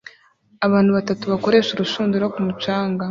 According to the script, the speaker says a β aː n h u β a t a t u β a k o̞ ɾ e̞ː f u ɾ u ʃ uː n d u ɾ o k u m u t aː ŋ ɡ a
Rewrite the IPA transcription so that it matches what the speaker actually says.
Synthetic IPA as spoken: a β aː n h u β a t a t u β a k o̞ ɾ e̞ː ʃ u ɾ u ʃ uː n d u ɾ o k u m u t͡ʃ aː ŋ ɡ a